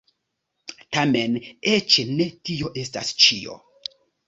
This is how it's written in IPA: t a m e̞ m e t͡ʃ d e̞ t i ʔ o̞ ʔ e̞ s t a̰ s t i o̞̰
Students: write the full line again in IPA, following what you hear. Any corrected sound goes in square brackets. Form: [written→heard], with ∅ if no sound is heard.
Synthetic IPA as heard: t a m e̞ [m→n] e t͡ʃ [d→n] e̞ t i [ʔ→∅] o̞ ʔ e̞ s t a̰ s [t→t͡ʃ] i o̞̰